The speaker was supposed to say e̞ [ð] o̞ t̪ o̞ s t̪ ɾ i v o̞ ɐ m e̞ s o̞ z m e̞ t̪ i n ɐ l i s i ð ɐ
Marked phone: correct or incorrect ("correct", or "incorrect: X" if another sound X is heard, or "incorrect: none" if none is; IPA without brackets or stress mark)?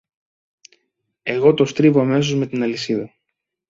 incorrect: ɣ